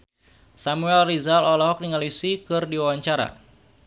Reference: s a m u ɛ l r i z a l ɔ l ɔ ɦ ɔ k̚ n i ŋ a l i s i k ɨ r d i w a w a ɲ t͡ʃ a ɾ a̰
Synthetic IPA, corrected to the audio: s a m u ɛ l r i z a l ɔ l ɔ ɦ ɔ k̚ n i ŋ a l i s i k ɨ r d i w a w a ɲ t͡ʃ a ɾ a̰